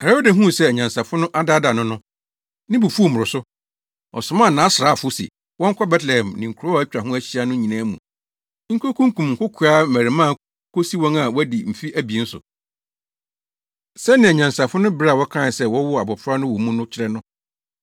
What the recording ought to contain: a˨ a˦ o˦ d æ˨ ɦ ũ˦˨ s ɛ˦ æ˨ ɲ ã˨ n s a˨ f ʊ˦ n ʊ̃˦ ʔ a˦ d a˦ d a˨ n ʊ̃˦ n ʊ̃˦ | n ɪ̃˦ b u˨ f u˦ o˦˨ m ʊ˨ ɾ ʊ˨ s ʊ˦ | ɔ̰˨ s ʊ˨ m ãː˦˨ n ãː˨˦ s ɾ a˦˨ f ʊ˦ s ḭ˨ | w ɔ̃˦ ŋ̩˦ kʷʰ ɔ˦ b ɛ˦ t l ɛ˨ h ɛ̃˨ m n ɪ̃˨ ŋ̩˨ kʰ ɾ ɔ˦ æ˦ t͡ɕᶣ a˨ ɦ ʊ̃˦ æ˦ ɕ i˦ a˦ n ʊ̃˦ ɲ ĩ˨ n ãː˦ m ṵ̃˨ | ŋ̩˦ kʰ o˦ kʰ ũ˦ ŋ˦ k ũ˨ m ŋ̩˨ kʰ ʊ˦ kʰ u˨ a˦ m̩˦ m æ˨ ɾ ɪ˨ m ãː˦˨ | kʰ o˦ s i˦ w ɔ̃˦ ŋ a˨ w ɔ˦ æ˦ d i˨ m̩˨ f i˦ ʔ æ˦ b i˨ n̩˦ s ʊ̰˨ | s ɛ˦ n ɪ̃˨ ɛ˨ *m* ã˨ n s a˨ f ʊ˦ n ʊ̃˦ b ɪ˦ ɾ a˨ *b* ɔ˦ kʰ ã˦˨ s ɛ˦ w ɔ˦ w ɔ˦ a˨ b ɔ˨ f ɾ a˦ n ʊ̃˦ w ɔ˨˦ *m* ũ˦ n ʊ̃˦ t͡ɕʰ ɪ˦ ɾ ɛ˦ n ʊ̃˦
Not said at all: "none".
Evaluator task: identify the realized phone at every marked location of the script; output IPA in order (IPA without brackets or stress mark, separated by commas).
ɲ, w, m